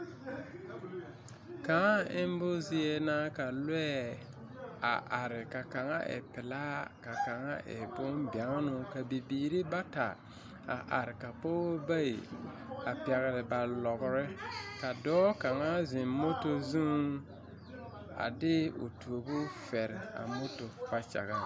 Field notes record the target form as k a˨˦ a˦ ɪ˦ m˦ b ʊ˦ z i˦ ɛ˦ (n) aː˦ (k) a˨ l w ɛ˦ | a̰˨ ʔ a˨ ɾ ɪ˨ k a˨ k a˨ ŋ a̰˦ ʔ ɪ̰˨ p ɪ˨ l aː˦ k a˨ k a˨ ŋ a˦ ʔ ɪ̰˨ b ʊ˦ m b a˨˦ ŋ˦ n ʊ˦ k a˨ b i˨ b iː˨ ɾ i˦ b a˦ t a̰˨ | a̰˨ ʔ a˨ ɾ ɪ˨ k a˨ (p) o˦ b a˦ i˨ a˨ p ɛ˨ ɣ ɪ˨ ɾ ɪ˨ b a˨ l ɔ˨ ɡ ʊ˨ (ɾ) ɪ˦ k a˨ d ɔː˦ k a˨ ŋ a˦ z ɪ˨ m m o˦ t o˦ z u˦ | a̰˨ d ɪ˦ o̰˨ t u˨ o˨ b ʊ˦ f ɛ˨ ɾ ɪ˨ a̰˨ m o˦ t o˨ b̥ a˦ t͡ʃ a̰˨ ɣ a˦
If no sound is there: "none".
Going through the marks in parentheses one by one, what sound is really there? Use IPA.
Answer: n, k, p, ɾ

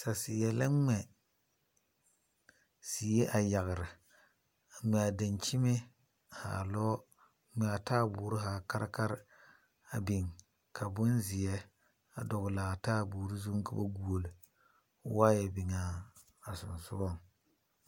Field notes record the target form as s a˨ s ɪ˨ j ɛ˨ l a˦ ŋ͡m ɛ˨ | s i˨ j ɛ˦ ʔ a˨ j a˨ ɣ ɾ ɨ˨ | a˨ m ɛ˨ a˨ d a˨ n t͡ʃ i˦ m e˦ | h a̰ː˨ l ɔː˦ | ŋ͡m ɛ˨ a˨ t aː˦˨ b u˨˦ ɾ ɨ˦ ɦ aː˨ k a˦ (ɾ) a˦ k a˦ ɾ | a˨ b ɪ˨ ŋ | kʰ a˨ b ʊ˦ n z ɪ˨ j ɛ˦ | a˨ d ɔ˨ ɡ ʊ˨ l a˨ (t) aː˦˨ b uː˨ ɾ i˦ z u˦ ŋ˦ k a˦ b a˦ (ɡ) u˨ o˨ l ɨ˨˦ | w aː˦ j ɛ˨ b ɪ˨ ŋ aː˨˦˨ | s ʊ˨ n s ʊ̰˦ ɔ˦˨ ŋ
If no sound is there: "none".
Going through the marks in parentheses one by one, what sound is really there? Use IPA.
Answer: ɾ, t, ɡ

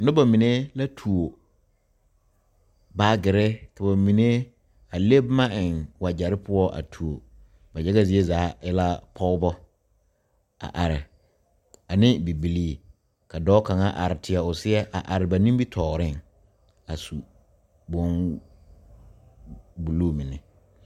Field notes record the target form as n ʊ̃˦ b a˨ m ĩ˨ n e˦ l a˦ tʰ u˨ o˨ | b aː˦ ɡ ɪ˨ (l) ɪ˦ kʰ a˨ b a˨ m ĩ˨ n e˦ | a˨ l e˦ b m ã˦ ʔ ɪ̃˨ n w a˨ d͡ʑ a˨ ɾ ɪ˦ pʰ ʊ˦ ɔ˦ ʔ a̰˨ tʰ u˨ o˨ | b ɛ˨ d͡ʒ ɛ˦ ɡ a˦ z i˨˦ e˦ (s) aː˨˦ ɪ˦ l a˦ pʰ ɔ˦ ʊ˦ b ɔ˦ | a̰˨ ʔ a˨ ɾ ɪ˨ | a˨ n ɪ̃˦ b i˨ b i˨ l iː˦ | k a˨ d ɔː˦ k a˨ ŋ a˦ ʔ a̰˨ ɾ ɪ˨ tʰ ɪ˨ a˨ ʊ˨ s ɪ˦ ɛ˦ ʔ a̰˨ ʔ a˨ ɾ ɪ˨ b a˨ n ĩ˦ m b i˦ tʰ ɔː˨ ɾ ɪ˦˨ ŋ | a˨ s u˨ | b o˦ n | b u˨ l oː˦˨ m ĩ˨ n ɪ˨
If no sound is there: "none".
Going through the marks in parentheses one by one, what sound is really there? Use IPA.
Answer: ɾ, z

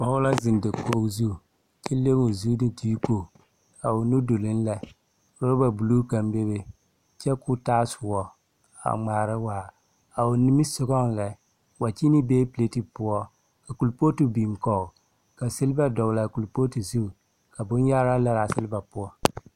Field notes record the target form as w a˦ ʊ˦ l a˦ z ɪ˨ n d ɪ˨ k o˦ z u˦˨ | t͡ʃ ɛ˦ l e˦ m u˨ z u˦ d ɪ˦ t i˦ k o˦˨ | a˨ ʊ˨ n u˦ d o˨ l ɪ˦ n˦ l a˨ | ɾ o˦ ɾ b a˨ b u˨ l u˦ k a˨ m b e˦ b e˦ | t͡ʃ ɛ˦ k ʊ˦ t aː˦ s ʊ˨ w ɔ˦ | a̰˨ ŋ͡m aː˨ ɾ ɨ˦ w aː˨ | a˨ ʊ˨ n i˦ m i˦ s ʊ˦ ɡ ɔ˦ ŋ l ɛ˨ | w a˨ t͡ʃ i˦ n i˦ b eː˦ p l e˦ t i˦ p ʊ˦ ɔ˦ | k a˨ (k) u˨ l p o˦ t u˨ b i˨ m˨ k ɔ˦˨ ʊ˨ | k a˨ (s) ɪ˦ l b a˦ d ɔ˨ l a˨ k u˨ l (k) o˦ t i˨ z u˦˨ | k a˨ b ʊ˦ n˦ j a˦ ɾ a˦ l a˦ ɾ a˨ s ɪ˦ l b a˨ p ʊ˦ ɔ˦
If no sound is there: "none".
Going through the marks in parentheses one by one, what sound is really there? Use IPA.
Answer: k, s, p

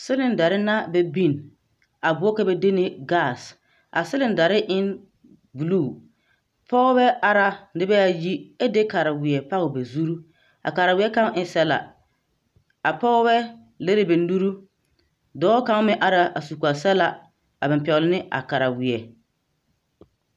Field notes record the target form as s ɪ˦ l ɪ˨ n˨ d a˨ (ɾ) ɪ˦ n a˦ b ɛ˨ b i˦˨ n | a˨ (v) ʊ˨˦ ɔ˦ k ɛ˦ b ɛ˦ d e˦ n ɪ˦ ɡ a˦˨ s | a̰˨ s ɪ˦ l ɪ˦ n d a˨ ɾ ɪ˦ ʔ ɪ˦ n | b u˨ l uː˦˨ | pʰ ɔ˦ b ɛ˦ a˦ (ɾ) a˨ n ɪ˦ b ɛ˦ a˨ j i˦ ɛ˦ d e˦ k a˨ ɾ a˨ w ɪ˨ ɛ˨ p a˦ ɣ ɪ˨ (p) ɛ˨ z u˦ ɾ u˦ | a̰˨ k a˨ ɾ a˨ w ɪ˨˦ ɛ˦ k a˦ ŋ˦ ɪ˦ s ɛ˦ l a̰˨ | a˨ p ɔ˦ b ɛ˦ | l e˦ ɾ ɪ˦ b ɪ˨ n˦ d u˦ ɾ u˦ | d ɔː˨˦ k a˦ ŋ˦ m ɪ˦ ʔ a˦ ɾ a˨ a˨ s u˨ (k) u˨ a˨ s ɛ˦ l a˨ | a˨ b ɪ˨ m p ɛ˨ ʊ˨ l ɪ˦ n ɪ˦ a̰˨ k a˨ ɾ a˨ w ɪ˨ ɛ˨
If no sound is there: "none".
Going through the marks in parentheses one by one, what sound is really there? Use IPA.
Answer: ɾ, b, ɾ, b, k

